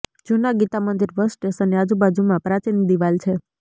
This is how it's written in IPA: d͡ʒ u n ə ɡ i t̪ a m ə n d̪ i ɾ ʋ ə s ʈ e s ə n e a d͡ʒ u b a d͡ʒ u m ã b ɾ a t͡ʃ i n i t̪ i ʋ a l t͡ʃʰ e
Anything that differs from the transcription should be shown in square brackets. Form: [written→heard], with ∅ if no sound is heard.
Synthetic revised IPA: d͡ʒ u n [ə→a] ɡ i t̪ a m ə n d̪ i ɾ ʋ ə s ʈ e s ə n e a d͡ʒ u b a d͡ʒ u m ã [b→p] ɾ a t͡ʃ i n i [t̪→d̪] i ʋ a l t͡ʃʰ e